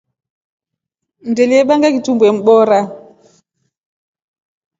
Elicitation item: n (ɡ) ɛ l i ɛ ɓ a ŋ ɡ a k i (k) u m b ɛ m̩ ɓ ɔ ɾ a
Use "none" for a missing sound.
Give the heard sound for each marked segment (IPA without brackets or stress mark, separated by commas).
d, t